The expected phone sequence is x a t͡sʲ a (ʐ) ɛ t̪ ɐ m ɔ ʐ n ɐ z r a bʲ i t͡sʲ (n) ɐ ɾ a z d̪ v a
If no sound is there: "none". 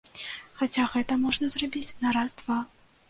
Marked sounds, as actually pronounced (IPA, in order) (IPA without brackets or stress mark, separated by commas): ɣ, n